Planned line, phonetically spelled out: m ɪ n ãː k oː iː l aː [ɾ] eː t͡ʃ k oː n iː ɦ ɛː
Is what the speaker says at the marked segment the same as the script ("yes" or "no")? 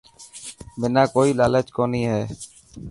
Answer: no